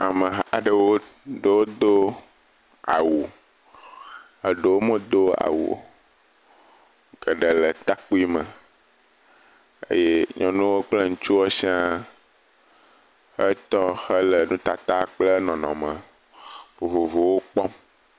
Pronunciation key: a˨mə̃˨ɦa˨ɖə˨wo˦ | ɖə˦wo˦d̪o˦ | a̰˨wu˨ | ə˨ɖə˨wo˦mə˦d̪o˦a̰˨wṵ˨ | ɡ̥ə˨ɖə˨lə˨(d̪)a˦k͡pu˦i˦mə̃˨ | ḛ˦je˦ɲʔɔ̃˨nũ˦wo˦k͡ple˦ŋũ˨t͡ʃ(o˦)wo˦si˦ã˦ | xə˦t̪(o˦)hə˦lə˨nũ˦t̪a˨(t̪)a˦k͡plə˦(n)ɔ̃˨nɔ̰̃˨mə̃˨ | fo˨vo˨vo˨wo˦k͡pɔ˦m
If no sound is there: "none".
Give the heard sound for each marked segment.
t̪, u˦, ɔ˦, t̪, n

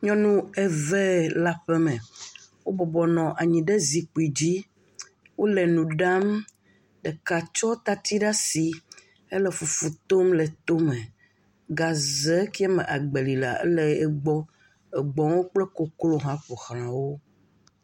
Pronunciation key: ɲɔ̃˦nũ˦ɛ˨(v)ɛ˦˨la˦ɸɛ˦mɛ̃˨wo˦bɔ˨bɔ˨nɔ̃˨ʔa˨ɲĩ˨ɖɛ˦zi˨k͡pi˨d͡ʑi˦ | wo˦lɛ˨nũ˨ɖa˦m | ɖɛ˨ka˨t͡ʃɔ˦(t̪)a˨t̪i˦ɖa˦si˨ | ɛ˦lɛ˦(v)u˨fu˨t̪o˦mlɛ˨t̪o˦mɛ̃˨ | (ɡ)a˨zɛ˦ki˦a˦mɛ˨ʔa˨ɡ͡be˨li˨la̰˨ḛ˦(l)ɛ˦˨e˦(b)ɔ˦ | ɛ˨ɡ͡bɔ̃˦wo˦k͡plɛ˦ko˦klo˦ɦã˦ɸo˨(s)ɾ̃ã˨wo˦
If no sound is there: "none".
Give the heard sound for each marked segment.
v, t̪, f, ɡ, l, ɡ͡b, x

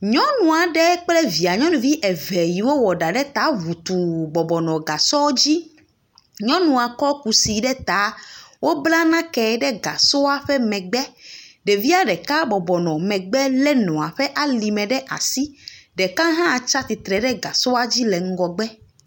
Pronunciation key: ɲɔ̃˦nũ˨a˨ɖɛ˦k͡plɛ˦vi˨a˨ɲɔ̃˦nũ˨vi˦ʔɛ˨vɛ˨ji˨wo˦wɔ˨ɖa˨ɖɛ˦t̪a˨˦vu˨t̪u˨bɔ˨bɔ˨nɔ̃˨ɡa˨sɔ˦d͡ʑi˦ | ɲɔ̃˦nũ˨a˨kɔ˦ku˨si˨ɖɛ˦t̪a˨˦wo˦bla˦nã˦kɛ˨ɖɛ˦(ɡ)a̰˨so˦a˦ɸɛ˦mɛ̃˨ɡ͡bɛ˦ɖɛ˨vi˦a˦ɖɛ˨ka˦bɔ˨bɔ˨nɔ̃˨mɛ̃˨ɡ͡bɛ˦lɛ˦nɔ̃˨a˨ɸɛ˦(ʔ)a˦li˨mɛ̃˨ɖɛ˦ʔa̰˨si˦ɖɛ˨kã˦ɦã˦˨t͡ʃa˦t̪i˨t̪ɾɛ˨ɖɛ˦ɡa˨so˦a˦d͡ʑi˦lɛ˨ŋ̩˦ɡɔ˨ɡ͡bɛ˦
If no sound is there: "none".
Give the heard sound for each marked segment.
ɡ, ʔ

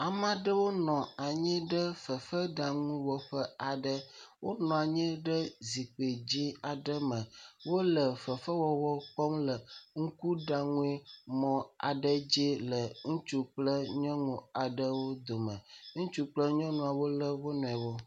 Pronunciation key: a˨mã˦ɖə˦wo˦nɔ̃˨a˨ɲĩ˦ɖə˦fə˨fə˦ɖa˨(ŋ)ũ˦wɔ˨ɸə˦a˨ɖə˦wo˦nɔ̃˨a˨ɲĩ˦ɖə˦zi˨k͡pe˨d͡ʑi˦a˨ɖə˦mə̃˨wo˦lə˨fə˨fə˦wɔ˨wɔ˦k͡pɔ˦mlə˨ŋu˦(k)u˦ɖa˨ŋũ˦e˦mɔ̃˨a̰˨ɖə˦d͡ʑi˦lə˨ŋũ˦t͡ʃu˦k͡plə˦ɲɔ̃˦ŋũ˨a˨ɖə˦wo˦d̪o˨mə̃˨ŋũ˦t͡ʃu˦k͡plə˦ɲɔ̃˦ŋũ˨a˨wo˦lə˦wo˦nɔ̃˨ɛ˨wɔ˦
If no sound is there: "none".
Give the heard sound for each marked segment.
ŋ, k

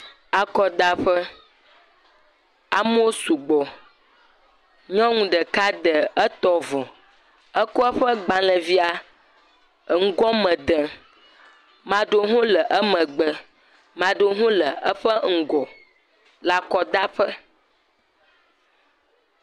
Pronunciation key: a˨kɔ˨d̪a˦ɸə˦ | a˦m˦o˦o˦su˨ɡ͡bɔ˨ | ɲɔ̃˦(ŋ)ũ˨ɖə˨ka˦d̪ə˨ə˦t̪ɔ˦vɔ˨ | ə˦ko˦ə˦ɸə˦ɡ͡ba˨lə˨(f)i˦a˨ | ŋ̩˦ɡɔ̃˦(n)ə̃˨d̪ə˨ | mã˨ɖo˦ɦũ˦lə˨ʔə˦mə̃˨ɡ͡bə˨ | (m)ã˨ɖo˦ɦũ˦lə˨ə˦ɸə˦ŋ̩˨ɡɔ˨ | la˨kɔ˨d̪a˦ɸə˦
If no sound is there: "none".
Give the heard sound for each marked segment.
ŋ, v, m, m

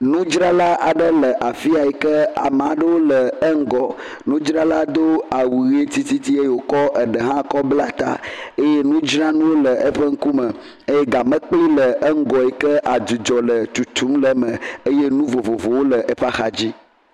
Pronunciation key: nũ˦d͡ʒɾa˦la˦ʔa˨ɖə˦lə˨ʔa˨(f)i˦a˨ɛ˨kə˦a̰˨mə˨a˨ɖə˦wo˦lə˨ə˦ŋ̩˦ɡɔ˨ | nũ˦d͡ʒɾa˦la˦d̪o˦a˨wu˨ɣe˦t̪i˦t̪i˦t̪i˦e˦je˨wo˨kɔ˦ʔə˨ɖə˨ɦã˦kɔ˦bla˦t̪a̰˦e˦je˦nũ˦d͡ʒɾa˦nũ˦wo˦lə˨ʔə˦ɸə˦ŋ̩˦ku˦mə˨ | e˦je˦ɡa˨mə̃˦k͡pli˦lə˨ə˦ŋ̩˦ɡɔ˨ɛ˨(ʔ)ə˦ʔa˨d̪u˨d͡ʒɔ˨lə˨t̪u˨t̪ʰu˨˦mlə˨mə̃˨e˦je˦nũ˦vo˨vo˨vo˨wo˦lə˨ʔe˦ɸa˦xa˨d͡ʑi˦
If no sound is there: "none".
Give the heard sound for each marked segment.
f, k

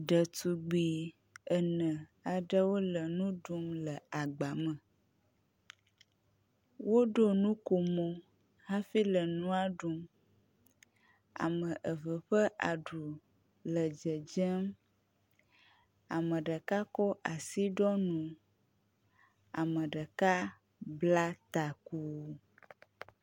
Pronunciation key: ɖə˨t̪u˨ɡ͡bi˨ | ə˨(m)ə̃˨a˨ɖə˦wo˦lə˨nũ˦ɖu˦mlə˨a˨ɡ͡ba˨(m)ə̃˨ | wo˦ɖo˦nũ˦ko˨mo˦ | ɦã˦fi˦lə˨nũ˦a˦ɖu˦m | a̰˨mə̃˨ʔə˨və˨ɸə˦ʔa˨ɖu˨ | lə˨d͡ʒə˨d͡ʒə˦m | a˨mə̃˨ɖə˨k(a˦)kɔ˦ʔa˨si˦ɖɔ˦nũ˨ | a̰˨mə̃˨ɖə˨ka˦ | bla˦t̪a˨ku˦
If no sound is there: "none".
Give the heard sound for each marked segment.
n, m, a˦

